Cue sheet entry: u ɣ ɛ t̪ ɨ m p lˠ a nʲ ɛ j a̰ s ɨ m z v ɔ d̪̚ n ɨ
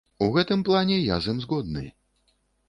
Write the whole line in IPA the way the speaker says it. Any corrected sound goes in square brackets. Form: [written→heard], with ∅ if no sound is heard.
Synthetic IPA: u ɣ ɛ t̪ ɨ m p lˠ a nʲ ɛ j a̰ [s→z] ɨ m z [v→ɣ] ɔ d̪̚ n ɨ